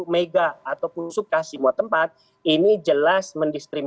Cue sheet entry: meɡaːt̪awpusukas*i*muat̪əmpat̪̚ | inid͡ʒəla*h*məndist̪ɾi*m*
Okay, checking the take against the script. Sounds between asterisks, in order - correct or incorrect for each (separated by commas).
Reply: correct, incorrect, correct